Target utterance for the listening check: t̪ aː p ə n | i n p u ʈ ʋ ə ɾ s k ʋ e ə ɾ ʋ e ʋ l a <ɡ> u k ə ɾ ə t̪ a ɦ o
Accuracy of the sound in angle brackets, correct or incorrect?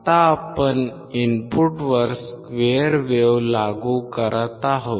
correct